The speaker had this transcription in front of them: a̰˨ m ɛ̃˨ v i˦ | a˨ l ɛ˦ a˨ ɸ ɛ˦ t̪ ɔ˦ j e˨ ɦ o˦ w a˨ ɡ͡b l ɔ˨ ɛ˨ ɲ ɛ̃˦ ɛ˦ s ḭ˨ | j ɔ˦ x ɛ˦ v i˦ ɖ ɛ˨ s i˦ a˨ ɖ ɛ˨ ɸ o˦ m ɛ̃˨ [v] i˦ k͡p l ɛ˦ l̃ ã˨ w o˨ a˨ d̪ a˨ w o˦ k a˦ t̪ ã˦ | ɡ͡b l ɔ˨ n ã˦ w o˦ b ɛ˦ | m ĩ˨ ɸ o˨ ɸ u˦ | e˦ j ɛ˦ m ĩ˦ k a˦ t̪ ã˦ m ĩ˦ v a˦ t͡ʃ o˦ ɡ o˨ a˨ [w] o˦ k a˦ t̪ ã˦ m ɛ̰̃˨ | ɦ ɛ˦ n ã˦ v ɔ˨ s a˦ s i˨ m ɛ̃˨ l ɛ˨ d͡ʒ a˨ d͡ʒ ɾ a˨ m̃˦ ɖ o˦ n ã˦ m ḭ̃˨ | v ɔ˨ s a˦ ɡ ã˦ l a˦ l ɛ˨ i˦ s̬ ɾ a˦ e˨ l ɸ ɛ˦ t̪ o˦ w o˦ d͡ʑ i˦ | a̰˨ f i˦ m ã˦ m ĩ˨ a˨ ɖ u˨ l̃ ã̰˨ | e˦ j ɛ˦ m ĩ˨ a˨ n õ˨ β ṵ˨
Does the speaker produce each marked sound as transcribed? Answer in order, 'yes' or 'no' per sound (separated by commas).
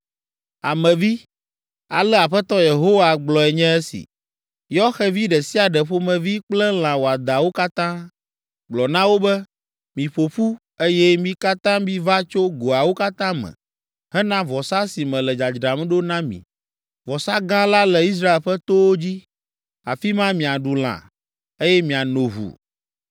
yes, yes